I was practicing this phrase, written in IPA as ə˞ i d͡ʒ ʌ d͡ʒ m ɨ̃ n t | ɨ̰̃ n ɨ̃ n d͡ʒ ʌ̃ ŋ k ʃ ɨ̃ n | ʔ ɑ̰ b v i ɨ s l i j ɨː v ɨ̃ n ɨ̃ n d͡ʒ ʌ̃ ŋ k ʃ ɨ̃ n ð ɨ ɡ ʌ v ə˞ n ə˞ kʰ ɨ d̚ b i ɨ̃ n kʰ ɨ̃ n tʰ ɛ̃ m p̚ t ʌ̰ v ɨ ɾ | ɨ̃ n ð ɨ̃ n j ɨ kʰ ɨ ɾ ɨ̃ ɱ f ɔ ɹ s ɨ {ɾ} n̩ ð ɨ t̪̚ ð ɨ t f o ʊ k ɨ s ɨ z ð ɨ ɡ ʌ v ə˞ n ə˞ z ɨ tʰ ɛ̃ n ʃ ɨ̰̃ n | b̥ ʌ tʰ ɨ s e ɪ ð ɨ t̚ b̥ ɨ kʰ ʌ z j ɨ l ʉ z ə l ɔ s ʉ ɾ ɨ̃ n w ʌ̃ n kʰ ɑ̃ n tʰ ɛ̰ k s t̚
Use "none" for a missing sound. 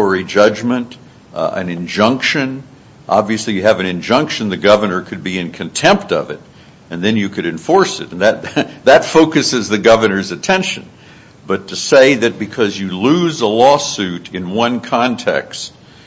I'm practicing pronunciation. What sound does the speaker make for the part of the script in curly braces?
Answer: ɾ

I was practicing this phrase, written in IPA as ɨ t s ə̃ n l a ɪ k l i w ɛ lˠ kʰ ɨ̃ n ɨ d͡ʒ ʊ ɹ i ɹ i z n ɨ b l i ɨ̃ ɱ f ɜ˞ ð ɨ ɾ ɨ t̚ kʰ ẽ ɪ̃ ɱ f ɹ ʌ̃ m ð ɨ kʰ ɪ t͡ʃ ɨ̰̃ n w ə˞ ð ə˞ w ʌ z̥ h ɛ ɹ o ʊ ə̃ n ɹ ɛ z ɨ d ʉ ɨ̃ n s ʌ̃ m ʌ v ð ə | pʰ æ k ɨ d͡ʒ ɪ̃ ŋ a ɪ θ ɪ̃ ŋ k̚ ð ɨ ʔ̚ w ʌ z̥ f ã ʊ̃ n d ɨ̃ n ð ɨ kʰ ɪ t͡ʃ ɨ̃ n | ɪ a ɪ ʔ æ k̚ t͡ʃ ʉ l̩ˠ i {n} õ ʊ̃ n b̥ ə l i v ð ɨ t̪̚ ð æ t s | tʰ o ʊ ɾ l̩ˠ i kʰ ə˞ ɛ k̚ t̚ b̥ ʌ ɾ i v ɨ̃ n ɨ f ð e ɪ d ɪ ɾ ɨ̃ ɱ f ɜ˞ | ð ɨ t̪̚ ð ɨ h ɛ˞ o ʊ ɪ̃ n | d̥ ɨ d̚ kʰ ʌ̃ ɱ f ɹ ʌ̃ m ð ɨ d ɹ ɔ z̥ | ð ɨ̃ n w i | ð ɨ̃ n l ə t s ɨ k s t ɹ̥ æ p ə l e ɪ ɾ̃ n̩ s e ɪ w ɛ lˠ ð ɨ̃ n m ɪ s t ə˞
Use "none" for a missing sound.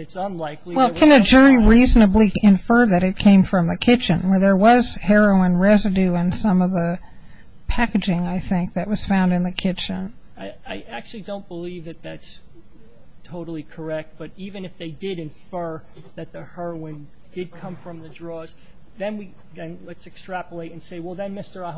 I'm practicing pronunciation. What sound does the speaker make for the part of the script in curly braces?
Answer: d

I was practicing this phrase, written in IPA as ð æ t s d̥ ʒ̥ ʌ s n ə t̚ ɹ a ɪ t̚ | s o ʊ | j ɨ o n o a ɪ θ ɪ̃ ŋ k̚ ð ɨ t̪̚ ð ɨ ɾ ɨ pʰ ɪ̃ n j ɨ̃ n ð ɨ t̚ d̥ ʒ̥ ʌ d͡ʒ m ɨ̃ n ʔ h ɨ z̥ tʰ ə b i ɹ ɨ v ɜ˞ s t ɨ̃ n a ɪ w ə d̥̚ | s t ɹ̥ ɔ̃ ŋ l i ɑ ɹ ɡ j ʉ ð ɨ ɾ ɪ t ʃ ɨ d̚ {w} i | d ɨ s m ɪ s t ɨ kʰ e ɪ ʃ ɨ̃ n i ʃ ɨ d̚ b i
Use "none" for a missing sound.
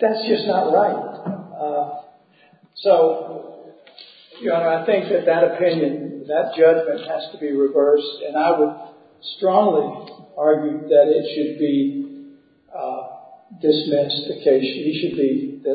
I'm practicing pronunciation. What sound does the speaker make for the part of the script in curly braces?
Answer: b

